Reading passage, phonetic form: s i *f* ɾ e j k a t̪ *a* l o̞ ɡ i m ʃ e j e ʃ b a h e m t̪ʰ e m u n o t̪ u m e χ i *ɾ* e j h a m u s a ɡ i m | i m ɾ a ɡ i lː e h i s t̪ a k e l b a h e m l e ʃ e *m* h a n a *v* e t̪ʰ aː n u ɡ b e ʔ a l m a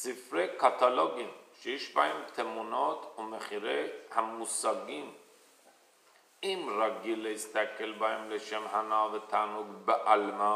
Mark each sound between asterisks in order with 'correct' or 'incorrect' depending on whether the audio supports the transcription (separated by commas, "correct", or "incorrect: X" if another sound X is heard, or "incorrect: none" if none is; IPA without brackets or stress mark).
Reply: correct, correct, correct, correct, correct